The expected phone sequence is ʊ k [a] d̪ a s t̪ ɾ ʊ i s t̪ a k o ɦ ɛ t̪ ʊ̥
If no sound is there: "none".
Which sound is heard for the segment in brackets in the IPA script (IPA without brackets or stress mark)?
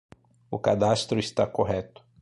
a